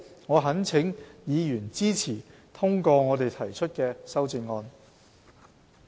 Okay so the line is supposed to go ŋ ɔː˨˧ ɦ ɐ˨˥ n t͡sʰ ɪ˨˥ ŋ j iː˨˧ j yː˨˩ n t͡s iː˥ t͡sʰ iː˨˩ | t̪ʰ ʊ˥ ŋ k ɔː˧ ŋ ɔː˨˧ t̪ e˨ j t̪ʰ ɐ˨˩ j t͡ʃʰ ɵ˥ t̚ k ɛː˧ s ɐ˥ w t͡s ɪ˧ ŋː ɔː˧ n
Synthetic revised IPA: ŋ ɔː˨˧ ɦ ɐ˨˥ n t͡sʰ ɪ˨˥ ŋ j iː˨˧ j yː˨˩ n t͡s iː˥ t͡sʰ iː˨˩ | t̪ʰ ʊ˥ ŋ k ɔː˧ ŋ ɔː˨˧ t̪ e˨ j t̪ʰ ɐ˨˩ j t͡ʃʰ ɵ˥ t̚ k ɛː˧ s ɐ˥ w t͡s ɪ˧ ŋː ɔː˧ n